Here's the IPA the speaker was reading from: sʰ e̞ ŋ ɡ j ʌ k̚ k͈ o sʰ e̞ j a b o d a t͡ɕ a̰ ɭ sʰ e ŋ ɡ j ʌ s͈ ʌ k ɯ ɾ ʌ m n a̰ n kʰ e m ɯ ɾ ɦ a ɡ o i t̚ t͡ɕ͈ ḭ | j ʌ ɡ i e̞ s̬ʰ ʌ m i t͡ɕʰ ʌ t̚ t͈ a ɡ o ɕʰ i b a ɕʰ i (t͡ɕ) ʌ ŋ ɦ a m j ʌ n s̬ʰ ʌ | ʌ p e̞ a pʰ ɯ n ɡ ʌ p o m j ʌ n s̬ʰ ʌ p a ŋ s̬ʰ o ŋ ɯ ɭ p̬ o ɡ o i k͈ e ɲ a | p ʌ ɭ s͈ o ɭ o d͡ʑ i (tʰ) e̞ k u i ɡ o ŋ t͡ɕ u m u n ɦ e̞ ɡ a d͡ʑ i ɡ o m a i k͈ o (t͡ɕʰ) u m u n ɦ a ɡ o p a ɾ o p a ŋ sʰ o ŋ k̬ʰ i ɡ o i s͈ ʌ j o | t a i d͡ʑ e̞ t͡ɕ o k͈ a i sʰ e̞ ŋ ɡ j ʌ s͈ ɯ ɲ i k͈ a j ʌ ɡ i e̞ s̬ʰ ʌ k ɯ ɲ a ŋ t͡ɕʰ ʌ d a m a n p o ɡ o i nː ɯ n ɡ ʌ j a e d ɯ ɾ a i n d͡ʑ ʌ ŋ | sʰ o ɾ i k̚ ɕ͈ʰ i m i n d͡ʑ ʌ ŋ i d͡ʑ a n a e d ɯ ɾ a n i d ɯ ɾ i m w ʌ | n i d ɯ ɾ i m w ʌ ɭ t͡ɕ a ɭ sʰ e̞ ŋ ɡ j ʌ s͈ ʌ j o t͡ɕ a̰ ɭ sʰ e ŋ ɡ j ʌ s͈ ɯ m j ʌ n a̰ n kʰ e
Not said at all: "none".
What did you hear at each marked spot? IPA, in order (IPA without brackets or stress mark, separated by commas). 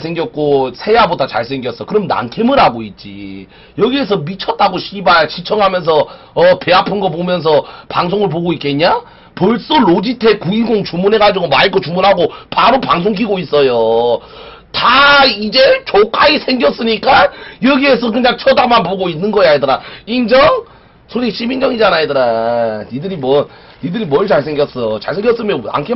t͡ɕʰ, tʰ, t͡ɕ